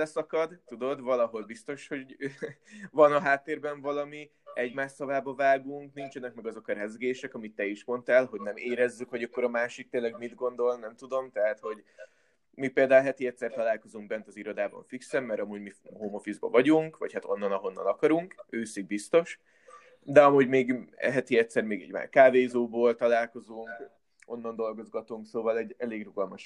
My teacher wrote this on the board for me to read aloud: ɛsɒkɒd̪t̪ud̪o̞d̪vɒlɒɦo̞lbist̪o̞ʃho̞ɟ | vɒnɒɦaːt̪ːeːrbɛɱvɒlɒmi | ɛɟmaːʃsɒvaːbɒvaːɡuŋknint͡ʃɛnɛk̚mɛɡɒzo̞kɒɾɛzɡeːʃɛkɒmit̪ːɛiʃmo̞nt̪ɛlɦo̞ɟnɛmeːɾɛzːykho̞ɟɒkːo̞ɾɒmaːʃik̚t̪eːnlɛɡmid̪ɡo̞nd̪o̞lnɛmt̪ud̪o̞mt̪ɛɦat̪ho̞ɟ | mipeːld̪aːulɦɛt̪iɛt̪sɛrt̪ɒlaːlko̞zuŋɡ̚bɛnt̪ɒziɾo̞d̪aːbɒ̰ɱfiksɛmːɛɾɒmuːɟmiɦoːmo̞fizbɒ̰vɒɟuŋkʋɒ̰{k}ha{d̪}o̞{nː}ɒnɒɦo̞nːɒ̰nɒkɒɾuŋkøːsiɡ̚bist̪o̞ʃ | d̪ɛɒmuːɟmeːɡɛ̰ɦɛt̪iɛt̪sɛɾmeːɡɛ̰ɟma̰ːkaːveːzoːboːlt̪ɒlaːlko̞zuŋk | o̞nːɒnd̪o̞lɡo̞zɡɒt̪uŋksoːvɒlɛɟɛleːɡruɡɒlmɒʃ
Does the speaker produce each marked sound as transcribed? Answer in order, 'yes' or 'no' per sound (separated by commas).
no, no, yes